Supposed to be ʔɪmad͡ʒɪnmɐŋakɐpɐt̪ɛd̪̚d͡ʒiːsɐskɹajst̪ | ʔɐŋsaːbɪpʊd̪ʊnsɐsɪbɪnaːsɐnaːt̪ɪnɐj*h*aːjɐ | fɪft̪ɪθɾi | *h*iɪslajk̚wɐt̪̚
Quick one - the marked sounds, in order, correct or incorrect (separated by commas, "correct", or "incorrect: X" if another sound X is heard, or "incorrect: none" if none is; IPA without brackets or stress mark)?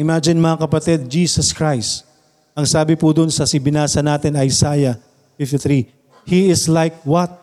incorrect: s, correct